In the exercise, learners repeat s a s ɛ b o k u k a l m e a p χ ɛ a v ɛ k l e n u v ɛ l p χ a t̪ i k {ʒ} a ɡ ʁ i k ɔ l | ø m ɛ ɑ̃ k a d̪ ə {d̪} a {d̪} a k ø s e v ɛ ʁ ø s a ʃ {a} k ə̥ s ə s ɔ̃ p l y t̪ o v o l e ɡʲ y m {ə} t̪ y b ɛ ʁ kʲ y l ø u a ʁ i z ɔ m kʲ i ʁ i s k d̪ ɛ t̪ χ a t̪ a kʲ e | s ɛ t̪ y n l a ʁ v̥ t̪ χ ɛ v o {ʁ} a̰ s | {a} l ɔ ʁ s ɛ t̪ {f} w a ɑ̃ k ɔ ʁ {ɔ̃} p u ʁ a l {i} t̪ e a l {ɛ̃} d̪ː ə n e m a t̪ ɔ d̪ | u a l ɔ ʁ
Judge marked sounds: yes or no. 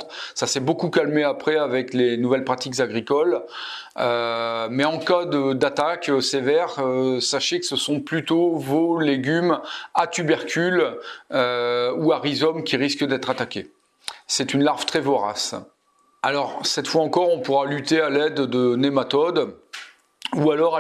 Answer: no, yes, no, no, no, yes, yes, yes, yes, no, no

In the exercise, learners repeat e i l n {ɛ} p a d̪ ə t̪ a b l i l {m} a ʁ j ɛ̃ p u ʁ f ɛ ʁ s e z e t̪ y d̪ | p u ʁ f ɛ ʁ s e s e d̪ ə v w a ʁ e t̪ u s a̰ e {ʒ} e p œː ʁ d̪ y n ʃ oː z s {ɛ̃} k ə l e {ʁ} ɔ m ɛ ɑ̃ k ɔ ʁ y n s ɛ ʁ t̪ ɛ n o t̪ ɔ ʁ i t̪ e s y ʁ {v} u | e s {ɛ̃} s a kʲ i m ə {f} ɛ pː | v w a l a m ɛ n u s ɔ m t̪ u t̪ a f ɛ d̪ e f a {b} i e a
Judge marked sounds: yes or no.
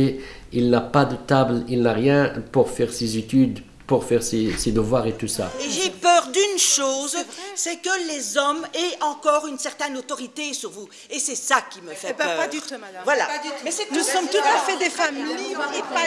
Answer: no, no, yes, no, no, yes, no, yes, no

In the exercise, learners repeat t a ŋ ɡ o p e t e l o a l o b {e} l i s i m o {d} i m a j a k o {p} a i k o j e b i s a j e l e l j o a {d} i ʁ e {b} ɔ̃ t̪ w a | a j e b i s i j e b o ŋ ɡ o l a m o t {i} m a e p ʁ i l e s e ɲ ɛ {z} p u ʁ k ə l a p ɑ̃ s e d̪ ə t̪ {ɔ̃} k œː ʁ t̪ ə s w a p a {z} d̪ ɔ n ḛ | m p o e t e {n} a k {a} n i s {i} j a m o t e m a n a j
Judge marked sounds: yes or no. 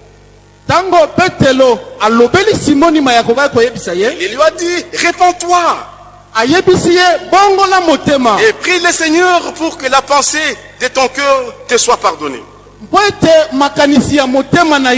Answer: yes, no, no, yes, no, no, no, yes, no, no, yes, yes

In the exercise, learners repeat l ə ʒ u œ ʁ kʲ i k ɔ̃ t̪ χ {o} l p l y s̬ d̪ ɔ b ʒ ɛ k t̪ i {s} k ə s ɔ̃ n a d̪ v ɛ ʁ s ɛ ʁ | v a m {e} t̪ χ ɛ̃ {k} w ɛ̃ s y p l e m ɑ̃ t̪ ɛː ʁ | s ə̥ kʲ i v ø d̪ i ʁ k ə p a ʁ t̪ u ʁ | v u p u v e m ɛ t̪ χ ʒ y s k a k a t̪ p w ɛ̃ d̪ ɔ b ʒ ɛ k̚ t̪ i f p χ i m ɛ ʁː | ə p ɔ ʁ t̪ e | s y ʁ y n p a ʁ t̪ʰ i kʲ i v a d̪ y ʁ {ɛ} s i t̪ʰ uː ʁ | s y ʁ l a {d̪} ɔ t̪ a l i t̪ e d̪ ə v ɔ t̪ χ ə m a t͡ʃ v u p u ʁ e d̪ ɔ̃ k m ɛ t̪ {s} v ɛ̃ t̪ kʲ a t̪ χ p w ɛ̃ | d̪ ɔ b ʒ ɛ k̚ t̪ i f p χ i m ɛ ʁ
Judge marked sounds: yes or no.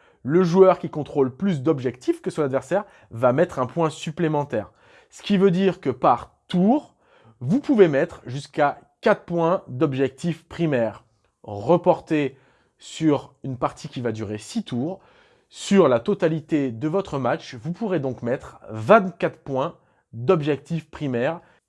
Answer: yes, no, no, no, no, no, no

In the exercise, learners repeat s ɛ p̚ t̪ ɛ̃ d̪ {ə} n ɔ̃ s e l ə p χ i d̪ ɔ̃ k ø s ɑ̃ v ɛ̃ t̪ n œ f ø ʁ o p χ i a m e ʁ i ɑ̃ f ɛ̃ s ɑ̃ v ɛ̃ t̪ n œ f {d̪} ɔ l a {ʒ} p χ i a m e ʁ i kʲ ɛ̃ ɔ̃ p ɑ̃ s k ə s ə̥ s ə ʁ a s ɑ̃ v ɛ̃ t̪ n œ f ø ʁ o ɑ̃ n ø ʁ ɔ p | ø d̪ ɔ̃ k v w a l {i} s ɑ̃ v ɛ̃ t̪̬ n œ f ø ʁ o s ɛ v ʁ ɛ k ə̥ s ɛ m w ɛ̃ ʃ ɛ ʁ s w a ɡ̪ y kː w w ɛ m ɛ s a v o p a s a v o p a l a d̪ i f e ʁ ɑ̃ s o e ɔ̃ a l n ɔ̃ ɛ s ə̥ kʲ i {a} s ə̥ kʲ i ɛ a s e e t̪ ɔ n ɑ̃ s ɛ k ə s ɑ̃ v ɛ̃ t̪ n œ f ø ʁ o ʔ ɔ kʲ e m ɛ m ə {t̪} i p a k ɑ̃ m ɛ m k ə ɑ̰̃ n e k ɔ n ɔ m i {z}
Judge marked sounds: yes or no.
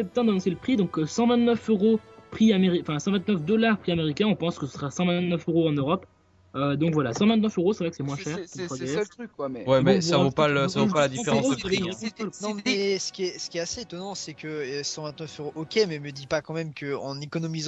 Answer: no, yes, no, no, no, no, yes

